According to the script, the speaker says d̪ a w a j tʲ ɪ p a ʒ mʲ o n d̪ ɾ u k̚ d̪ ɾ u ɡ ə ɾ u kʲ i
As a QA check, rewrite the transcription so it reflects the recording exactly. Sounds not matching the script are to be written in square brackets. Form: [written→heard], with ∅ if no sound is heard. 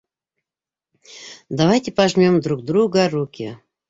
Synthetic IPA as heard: d̪ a [w→v] a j tʲ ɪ p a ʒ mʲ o [n→m] d̪ ɾ u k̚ d̪ ɾ u ɡ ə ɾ u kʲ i